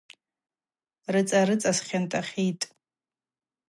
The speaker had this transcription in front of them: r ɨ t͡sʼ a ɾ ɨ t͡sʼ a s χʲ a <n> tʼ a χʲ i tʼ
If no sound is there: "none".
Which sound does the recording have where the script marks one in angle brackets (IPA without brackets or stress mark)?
n